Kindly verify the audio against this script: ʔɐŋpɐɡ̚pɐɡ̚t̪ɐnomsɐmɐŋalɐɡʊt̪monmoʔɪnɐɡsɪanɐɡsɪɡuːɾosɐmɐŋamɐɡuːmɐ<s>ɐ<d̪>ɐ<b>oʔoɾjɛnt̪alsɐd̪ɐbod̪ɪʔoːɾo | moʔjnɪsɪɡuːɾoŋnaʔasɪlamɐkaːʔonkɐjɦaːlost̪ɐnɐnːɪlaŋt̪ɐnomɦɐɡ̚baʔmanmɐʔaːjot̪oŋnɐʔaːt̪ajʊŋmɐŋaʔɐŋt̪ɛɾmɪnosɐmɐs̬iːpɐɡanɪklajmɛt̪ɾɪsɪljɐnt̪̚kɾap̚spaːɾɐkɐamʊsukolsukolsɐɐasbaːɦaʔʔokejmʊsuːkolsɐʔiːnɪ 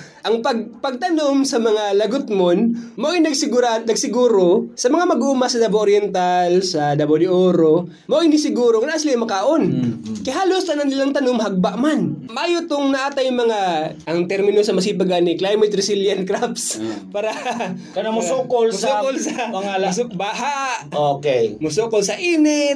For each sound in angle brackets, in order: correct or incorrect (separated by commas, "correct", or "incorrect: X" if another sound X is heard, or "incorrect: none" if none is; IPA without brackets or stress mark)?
correct, correct, correct